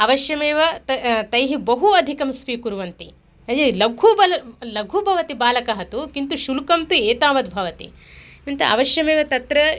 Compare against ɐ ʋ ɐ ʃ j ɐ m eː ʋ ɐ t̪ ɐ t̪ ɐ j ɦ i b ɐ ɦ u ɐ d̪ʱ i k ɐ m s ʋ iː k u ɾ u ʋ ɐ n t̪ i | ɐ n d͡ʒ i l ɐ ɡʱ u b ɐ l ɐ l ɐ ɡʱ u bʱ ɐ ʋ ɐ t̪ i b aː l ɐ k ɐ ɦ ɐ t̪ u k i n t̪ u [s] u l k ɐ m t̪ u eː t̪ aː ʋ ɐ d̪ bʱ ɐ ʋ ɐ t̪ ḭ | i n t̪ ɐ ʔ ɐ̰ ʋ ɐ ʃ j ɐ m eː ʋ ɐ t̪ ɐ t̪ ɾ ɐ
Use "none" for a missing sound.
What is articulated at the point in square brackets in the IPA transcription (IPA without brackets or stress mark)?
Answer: ʃ